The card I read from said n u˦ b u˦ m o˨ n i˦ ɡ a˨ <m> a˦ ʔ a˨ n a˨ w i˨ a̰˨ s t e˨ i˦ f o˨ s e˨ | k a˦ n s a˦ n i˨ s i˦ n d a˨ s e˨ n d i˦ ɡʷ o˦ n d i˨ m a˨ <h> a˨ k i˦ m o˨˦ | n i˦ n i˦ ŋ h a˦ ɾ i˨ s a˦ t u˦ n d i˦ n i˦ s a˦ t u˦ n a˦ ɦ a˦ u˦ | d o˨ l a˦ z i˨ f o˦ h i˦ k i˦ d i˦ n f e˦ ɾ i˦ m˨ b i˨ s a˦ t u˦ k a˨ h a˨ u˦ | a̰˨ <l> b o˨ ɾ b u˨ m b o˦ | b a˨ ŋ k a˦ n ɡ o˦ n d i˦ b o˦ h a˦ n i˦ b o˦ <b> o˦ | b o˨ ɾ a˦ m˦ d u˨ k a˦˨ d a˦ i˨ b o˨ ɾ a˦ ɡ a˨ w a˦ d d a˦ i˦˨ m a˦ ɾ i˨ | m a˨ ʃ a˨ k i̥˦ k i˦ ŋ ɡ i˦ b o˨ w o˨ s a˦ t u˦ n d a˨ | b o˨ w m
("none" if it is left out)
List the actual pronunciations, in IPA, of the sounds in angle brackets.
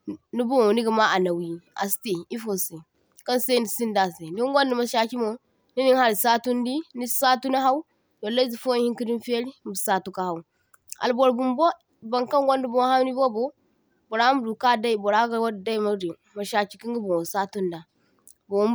m, ʃ, l, b

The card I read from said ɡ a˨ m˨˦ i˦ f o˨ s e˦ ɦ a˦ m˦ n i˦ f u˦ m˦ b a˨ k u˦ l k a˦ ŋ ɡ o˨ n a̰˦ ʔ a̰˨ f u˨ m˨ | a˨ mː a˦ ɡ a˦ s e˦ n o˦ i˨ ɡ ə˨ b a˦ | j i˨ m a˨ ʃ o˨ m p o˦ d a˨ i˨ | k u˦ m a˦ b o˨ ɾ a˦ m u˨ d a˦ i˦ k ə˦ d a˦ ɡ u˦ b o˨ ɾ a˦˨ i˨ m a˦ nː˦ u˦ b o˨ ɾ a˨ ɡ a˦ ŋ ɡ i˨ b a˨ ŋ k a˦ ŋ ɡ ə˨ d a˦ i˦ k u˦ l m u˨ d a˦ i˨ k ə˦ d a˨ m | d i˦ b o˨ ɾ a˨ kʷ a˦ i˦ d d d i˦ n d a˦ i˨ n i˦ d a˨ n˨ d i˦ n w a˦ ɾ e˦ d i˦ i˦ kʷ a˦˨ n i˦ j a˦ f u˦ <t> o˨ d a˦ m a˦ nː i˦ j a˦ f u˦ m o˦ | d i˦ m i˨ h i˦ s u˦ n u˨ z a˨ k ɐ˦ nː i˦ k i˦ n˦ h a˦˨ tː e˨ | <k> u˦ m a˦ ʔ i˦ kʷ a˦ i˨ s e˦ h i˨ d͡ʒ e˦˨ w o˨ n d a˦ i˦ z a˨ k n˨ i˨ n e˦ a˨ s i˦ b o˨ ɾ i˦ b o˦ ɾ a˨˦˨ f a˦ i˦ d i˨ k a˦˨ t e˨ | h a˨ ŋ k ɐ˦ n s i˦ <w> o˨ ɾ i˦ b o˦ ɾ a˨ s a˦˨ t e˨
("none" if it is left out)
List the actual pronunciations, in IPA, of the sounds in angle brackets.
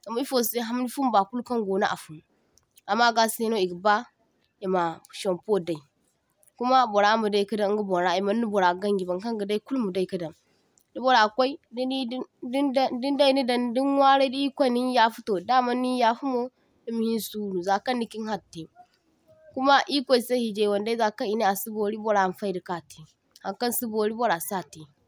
t, k, b

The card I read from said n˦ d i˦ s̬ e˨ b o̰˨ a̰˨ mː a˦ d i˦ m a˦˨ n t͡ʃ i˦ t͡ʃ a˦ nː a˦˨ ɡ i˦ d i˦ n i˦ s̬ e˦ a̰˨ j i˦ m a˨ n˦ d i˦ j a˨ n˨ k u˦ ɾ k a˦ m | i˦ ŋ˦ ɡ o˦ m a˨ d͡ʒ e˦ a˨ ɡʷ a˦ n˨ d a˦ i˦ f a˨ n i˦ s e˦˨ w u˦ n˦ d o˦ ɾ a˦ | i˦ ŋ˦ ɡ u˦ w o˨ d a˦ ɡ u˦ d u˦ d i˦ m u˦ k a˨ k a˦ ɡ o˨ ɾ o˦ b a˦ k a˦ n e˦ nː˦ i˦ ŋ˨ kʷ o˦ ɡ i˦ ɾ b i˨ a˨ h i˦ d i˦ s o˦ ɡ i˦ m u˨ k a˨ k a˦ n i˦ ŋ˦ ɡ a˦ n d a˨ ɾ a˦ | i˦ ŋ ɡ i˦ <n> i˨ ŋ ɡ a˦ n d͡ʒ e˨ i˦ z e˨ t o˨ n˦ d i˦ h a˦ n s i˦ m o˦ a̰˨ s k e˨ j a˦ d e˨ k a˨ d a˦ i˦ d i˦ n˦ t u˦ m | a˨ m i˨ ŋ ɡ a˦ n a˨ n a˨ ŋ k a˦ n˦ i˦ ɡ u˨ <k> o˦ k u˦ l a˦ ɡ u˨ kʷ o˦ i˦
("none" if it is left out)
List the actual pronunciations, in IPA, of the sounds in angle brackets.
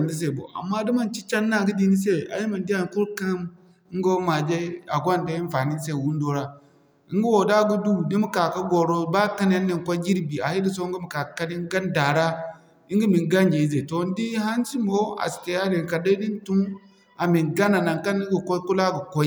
m, k

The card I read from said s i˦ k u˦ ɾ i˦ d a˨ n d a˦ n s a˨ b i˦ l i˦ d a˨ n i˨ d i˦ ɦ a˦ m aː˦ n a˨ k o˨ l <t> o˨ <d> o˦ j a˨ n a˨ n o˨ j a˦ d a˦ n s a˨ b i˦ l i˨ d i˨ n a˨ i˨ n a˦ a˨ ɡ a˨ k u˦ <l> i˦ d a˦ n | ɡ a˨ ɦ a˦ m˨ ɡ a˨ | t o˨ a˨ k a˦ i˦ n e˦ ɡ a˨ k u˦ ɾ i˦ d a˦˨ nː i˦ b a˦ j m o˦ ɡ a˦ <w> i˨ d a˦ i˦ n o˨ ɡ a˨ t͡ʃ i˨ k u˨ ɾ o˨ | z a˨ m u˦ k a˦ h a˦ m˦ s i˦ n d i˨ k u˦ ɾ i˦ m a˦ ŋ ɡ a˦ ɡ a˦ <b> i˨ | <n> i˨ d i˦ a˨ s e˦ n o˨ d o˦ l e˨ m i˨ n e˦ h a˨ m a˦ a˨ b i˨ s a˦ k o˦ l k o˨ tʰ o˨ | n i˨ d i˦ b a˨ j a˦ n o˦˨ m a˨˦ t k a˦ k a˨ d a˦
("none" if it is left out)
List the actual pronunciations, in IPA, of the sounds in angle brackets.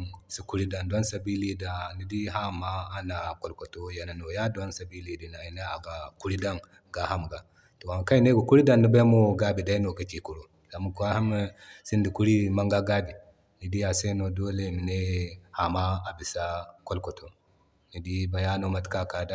k, t, ɾ, b, b, n

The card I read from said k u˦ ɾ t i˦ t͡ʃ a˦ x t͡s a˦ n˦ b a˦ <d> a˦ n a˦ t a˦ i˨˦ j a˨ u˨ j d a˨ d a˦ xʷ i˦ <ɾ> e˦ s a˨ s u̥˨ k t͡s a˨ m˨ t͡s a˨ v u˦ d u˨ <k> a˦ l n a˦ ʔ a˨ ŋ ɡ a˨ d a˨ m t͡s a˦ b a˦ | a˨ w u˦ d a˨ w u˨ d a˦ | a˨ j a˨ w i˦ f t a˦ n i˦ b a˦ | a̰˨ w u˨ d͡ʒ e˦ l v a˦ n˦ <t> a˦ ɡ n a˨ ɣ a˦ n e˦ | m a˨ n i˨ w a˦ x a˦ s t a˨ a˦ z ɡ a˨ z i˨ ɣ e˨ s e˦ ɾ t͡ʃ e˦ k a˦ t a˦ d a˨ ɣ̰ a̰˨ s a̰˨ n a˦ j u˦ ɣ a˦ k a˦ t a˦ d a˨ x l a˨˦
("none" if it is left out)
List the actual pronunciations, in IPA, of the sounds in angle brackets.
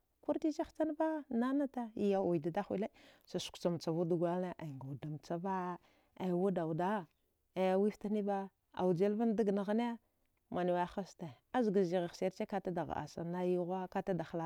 n, l, ɡ, d

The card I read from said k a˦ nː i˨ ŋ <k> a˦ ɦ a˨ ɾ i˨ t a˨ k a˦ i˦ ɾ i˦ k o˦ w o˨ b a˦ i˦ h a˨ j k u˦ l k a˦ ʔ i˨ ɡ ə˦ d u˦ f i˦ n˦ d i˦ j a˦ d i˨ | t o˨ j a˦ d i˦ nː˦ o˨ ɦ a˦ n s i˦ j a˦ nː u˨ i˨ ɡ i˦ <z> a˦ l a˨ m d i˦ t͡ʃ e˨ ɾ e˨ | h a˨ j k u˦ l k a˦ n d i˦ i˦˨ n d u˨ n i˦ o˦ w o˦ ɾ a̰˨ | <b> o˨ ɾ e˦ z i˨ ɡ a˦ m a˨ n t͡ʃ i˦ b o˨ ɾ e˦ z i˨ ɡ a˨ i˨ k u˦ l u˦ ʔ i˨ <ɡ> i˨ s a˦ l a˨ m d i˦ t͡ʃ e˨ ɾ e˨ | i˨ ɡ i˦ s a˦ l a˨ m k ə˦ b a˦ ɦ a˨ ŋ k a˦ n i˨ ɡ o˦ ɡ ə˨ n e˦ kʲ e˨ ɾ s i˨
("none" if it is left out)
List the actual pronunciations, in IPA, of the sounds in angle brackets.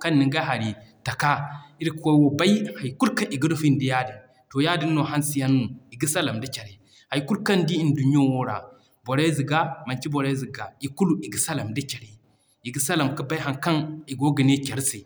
ɡ, s, b, ɡ

